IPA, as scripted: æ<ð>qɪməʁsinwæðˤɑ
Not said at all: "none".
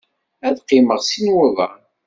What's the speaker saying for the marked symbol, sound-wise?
ð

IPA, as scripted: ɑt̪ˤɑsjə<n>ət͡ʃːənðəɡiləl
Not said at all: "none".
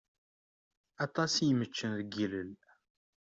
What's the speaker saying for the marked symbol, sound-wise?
m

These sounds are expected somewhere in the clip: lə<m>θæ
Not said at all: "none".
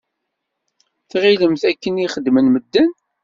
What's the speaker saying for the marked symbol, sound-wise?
m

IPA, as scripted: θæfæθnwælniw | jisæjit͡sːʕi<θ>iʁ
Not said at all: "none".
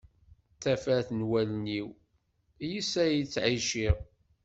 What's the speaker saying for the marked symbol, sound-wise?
ʃ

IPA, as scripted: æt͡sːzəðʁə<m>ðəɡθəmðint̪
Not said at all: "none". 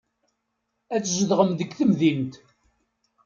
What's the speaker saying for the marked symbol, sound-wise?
m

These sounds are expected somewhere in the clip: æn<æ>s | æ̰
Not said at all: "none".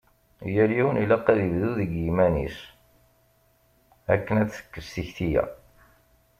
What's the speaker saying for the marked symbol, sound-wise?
i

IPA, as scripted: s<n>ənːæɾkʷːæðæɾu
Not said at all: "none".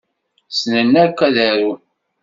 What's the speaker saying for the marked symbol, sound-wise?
n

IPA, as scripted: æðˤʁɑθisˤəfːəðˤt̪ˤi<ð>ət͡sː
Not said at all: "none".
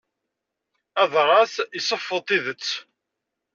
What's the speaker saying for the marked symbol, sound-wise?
ð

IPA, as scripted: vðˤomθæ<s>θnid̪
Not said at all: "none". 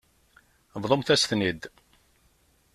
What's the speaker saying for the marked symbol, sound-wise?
s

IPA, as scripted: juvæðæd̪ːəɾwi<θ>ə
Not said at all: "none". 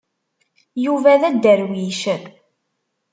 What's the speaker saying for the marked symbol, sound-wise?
ʃ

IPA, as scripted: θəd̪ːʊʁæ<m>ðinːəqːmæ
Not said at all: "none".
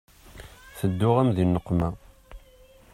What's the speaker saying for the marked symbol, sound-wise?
m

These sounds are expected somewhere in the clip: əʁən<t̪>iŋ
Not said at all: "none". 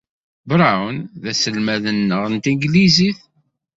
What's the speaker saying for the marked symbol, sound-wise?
t̪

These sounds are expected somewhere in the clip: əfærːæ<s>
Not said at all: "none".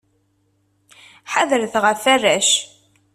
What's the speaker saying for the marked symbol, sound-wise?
ʃ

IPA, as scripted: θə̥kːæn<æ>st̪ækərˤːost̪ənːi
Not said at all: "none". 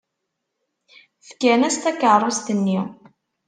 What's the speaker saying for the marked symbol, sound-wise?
æ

